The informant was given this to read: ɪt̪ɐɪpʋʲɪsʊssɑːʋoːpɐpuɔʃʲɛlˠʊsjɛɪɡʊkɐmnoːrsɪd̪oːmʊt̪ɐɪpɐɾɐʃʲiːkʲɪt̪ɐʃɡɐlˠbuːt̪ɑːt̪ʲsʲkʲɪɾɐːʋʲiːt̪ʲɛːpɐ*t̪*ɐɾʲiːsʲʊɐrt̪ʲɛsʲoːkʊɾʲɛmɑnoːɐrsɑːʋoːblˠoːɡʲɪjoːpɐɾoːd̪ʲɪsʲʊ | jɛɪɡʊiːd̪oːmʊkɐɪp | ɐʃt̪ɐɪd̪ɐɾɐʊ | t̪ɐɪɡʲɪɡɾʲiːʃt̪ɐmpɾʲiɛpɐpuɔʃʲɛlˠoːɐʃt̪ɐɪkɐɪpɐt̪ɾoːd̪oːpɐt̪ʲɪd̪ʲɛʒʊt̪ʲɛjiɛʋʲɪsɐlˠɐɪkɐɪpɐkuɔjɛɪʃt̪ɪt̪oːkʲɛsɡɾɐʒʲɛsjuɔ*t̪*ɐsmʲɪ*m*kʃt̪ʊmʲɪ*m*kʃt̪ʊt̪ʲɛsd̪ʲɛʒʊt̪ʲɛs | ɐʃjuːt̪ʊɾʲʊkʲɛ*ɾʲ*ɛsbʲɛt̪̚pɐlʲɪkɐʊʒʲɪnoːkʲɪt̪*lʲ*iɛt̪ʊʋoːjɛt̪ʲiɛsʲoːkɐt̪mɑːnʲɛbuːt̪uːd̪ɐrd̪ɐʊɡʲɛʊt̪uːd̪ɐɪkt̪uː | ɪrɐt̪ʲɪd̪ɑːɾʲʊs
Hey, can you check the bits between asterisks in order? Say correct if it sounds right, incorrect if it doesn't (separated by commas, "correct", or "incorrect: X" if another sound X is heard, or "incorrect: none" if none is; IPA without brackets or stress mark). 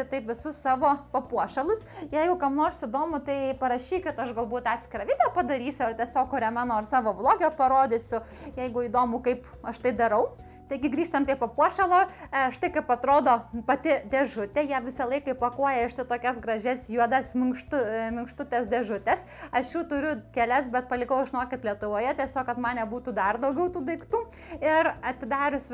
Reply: incorrect: d̪, incorrect: d̪, incorrect: ŋ, incorrect: ŋ, incorrect: lʲ, correct